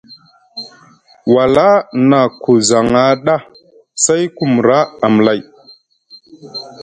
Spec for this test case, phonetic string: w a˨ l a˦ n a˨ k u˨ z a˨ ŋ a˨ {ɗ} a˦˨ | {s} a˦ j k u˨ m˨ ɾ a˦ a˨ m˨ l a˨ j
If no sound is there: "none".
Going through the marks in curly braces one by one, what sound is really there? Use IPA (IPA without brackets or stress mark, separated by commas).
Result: ɗ, s